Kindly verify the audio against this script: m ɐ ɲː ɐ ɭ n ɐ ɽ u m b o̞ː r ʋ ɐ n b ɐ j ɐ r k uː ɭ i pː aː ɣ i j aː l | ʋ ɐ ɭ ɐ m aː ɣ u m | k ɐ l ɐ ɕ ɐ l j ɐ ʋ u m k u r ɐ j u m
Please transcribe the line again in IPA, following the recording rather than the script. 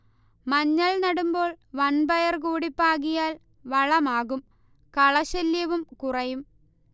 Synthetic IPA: m ɐ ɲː ɐ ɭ n ɐ ɽ u m b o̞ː ɭ ʋ ɐ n b ɐ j ɐ r k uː ɽ i pː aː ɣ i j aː l | ʋ ɐ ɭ ɐ m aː ɣ u m | k ɐ ɭ ɐ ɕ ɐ l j ɐ ʋ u m k u r ɐ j u m

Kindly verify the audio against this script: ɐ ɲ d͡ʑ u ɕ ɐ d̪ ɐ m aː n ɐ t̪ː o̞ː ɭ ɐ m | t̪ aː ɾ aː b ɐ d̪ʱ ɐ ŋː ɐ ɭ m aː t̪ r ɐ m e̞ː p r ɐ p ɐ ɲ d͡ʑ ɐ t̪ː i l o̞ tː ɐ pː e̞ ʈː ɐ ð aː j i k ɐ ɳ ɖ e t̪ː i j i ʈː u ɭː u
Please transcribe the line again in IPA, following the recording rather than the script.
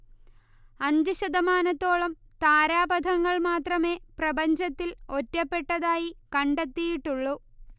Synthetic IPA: ɐ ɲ d͡ʑ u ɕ ɐ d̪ ɐ m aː n ɐ t̪ː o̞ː ɭ ɐ m | t̪ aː ɾ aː b ɐ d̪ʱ ɐ ŋː ɐ ɭ m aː t̪ r ɐ m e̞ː p r ɐ b ɐ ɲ d͡ʑ ɐ t̪ː i l o̞ tː ɐ pː e̞ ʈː ɐ ð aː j i k ɐ ɳ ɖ e t̪ː i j i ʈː u ɭː u

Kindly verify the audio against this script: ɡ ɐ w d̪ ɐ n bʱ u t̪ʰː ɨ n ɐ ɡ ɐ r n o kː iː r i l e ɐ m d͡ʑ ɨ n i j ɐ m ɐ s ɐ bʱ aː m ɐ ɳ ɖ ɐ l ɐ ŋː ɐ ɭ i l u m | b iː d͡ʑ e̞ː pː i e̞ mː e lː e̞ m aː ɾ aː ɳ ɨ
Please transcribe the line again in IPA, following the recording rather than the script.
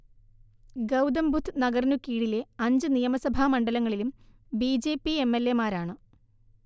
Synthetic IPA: ɡ ɐ w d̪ ɐ m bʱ u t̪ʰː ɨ n ɐ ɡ ɐ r n u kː iː ɽ i l e ɐ ɲ d͡ʑ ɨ n i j ɐ m ɐ s ɐ bʱ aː m ɐ ɳ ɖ ɐ l ɐ ŋː ɐ ɭ i l u m | b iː d͡ʑ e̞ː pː i e̞ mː e lː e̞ m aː ɾ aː ɳ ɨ

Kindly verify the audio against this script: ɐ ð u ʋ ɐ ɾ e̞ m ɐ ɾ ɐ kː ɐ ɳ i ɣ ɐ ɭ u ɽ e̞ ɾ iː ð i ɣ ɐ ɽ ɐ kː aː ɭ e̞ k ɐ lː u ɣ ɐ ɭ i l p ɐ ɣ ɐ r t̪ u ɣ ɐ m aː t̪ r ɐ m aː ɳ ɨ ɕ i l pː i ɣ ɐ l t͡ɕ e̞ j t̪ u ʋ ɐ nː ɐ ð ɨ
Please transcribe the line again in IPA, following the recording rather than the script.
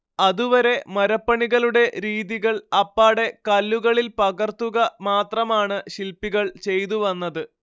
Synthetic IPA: ɐ ð u ʋ ɐ ɾ e̞ m ɐ ɾ ɐ pː ɐ ɳ i ɣ ɐ ɭ u ɽ e̞ ɾ iː ð i ɣ ɐ ɭ ɐ pː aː ɽ e̞ k ɐ lː u ɣ ɐ ɭ i l p ɐ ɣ ɐ r t̪ u ɣ ɐ m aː t̪ r ɐ m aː ɳ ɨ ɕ i l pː i ɣ ɐ ɭ t͡ɕ e̞ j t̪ u ʋ ɐ nː ɐ ð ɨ

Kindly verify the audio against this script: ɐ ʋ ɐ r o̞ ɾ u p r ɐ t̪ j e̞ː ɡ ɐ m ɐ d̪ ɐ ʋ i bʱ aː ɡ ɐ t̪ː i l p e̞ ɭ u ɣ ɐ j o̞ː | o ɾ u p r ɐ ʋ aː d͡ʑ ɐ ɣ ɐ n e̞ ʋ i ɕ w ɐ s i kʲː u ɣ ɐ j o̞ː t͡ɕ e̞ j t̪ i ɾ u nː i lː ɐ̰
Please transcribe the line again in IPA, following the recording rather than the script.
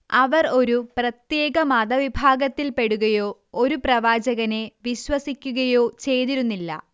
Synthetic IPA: ɐ ʋ ɐ r o̞ ɾ u p r ɐ t̪ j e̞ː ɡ ɐ m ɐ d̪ ɐ ʋ i bʱ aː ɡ ɐ t̪ː i l p e̞ ɽ u ɣ ɐ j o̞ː | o ɾ u p r ɐ ʋ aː d͡ʑ ɐ ɣ ɐ n e̞ ʋ i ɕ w ɐ s i kʲː u ɣ ɐ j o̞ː t͡ɕ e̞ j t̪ i ɾ u nː i lː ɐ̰

